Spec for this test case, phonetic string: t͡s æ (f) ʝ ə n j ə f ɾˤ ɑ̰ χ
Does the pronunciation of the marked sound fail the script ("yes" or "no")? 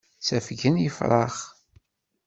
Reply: no